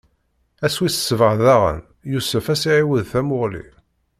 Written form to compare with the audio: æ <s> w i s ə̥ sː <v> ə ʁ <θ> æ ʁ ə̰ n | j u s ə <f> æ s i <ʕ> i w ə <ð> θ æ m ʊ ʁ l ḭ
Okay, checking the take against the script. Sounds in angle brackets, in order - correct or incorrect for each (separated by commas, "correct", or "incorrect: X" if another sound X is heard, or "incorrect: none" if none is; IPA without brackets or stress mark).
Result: correct, correct, incorrect: ð, correct, correct, correct